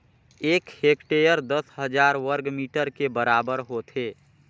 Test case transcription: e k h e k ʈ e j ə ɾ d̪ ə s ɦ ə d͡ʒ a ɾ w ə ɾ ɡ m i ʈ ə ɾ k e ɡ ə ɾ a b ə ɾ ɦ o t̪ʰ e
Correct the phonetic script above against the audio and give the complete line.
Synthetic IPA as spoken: e k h e k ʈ e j ə ɾ d̪ ə s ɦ ə d͡ʒ a ɾ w ə ɾ ɡ m i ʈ ə ɾ k e b ə ɾ a b ə ɾ ɦ o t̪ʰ e